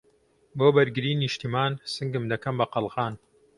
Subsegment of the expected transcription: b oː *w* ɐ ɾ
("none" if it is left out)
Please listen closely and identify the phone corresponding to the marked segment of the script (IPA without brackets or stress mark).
b